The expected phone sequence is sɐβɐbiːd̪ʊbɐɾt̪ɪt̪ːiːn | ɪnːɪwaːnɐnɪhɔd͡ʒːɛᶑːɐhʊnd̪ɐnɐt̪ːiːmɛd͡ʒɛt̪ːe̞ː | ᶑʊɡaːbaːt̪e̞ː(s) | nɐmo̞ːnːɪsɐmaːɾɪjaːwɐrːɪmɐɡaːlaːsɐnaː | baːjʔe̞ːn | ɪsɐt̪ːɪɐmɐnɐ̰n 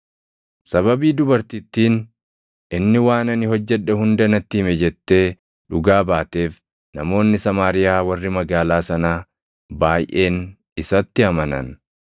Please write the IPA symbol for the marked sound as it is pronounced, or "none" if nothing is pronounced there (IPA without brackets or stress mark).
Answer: f